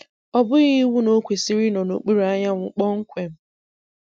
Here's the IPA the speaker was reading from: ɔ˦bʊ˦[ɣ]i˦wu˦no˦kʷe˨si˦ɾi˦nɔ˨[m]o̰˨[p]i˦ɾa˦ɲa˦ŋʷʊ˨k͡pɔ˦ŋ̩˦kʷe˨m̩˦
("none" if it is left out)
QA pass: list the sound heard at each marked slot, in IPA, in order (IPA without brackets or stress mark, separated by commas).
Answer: ɣ, n, k͡p